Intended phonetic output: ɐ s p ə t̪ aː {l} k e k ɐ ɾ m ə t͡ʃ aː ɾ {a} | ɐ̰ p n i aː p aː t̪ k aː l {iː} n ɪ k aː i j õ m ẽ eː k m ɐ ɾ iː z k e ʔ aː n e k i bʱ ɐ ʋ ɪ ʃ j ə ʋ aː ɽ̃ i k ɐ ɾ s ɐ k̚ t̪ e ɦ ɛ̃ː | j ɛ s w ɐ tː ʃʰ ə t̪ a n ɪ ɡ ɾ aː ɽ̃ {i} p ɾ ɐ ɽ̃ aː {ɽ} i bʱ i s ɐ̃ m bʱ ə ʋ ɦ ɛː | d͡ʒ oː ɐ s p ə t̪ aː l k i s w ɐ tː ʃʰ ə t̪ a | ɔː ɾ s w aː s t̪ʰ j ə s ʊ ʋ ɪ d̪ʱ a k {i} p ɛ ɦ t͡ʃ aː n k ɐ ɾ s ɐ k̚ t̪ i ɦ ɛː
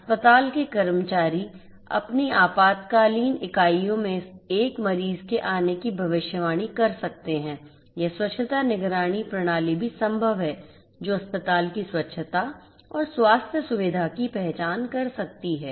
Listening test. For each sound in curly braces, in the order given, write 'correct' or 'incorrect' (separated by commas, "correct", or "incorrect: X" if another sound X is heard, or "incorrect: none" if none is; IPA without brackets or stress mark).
correct, incorrect: i, correct, correct, incorrect: l, correct